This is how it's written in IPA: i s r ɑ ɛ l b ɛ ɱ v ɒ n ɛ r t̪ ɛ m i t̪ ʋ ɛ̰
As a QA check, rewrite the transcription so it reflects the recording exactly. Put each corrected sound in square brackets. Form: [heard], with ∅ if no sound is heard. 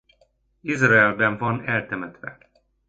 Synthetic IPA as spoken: i [z] r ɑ ɛ l b ɛ ɱ v ɒ n ɛ [l] t̪ ɛ m [ɛ] t̪ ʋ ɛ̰